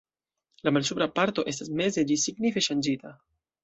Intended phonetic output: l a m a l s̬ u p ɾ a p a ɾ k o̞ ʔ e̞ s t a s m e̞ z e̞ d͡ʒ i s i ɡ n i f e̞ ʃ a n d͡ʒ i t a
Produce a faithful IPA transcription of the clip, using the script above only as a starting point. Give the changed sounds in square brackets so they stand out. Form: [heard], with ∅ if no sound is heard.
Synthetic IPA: l a m a l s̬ u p ɾ a p a ɾ [t] o̞ ʔ e̞ s t a s m e̞ z e̞ d͡ʒ i s i ɡ n i f e̞ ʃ a n d͡ʒ i t a